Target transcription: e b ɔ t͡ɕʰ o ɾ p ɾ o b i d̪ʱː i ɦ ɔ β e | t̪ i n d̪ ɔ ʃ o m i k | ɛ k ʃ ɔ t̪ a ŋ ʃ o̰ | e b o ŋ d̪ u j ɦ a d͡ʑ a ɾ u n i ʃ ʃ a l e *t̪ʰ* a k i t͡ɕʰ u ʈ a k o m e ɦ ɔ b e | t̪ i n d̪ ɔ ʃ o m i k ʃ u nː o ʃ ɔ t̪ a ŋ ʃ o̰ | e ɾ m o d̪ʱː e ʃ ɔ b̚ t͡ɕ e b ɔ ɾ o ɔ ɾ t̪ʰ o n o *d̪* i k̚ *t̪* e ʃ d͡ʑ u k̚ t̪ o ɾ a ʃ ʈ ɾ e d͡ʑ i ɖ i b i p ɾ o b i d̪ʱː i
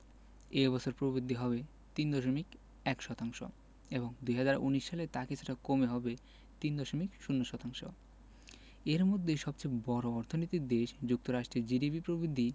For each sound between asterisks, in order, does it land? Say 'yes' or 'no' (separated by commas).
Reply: no, no, no